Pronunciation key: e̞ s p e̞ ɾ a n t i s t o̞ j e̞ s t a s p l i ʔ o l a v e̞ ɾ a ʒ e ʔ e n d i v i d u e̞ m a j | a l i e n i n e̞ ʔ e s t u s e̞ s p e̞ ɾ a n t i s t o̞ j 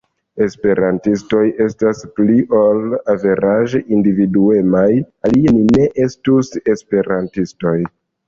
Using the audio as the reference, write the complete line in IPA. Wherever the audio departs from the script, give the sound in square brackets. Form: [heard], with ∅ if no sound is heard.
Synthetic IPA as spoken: e̞ s p e̞ ɾ a n t i s t o̞ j e̞ s t a s p l i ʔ o l a v e̞ ɾ a ʒ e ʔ [i] n d i v i d u e̞ m a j | a l i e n i n e̞ ʔ e s t u s e̞ s p e̞ ɾ a n t i s t o̞ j